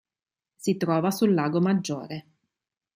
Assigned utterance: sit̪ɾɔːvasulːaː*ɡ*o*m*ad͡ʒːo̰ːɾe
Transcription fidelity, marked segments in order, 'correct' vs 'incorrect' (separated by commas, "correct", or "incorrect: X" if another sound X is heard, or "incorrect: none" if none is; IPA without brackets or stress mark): correct, correct